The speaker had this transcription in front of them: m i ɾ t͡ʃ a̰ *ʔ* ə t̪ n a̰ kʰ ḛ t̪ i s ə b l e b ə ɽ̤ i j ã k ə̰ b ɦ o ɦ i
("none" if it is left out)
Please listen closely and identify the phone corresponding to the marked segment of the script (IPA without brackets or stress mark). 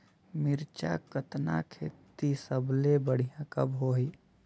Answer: k